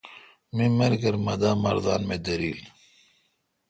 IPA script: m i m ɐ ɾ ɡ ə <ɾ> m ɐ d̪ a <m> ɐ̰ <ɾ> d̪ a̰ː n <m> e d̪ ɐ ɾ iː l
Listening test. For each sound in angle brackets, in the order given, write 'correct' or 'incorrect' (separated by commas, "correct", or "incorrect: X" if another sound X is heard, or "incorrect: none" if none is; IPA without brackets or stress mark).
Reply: correct, correct, correct, correct